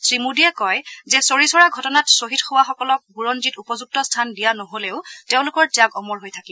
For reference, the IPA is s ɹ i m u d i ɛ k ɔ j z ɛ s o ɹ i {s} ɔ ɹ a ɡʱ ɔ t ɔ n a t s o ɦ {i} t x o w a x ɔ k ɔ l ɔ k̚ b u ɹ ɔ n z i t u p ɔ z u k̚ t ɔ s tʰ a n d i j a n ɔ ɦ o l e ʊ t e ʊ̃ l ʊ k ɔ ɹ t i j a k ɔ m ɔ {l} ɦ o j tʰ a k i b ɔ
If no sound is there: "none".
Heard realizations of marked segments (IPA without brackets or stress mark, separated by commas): s, i, ɹ